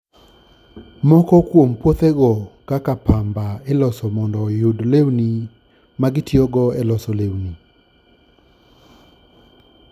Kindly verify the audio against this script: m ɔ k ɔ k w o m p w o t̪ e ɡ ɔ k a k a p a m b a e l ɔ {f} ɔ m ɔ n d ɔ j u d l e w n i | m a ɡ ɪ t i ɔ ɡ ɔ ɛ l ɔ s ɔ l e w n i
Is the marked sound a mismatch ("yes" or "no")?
yes